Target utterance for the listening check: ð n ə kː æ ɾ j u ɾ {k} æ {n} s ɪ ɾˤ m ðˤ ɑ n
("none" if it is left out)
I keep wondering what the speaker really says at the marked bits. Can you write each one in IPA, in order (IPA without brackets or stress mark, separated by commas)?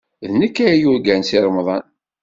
ɡ, n